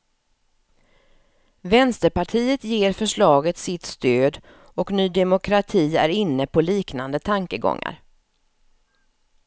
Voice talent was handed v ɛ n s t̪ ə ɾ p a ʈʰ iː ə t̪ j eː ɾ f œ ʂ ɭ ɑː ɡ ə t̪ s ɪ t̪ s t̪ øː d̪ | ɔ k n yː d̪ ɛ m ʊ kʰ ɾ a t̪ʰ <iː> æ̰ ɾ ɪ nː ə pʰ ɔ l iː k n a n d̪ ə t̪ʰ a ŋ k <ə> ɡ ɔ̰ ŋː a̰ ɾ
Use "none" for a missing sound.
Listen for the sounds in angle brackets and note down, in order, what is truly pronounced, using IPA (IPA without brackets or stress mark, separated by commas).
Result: iː, ə